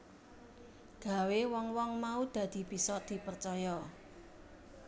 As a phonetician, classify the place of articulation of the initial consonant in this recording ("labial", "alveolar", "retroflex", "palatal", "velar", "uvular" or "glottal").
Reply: velar